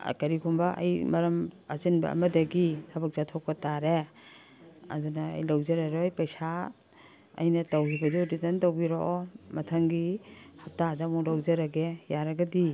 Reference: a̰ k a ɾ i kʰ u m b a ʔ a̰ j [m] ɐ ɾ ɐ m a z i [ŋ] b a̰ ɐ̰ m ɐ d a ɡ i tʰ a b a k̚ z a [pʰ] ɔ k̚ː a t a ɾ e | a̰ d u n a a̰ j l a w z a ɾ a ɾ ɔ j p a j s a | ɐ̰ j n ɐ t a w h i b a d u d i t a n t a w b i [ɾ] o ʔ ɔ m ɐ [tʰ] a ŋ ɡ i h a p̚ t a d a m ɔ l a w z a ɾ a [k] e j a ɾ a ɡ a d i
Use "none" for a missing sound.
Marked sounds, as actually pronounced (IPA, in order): m, n, tʰ, ɾ, tʰ, ɡ

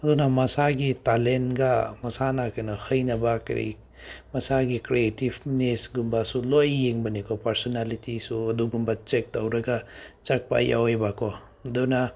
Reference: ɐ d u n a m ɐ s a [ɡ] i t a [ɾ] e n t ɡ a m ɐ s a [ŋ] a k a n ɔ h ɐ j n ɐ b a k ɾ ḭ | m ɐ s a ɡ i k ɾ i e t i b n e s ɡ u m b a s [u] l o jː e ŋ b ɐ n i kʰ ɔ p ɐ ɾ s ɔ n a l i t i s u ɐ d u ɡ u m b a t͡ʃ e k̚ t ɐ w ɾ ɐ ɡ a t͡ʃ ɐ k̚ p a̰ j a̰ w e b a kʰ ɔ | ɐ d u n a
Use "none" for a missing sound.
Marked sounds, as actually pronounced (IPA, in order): ɡ, l, n, u

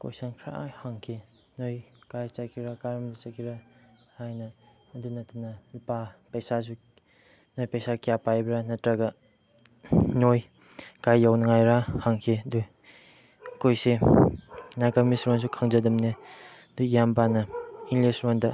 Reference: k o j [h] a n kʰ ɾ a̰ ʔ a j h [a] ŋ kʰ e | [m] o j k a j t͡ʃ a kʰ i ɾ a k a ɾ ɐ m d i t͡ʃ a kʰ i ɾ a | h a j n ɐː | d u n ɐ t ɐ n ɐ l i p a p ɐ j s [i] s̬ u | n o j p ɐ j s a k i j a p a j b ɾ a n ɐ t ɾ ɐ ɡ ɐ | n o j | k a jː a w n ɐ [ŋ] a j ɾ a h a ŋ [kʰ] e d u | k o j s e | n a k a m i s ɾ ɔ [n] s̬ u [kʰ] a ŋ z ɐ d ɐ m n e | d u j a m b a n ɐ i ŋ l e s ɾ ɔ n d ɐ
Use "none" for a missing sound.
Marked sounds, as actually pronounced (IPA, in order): s, a, n, a, ŋ, kʰ, n, kʰ

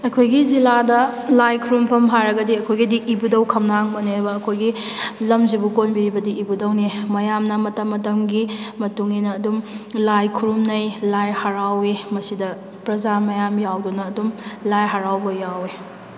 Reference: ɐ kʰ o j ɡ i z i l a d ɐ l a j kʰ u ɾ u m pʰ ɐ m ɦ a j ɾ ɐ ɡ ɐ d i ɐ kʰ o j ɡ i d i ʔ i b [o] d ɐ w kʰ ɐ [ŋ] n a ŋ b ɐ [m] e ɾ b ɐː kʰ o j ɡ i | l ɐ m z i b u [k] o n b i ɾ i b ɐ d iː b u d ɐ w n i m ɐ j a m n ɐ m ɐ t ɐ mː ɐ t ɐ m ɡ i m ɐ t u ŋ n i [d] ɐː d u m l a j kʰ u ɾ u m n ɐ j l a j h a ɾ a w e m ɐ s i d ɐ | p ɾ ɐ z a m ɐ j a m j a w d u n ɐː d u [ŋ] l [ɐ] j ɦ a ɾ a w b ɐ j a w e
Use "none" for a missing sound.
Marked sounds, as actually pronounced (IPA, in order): u, m, n, k, n, m, a

